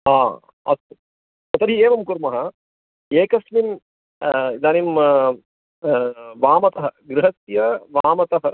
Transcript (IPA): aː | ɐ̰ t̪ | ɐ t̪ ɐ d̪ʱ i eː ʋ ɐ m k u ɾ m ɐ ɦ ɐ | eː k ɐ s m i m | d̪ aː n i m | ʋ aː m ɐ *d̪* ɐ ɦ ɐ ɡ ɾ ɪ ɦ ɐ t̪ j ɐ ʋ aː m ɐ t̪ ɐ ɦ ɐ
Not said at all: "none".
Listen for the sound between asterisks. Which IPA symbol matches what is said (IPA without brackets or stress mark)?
t̪